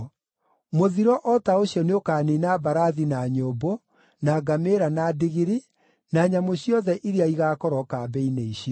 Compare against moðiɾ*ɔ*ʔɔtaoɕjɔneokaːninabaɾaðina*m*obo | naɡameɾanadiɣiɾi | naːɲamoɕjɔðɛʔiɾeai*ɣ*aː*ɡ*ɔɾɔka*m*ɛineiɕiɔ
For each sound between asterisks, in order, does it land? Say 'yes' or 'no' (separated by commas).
yes, no, yes, no, no